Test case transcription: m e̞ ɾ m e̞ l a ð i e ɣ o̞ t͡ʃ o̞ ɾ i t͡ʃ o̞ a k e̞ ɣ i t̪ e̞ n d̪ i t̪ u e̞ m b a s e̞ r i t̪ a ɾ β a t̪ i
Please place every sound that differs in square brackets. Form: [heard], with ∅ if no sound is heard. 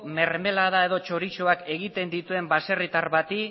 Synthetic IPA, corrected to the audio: m e̞ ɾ m e̞ l a ð [a] e [ð] o̞ t͡ʃ o̞ ɾ i t͡ʃ o̞ a k e̞ ɣ i t̪ e̞ n d̪ i t̪ u e̞ m b a s e̞ r i t̪ a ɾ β a t̪ i